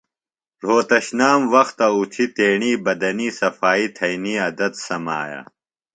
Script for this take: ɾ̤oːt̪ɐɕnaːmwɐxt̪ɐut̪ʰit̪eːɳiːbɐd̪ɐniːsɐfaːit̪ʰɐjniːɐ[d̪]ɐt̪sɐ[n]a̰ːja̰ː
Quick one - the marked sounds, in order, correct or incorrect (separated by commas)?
correct, incorrect